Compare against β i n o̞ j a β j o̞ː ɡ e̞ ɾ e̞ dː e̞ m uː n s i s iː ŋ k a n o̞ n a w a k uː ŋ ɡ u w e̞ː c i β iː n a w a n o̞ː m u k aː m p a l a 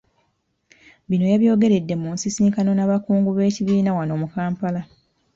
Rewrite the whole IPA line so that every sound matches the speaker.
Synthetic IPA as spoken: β i n o̞ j a β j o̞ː ɡ e̞ ɾ e̞ dː e̞ m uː n s i s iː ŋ k a n o̞ n a β a k uː ŋ ɡ u β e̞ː c i β iː n a w a n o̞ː m u k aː m p a l a